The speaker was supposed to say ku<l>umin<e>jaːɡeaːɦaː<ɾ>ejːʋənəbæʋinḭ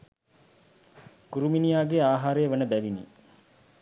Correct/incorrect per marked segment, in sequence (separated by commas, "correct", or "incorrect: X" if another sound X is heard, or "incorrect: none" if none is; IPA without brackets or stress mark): incorrect: ɾ, incorrect: i, correct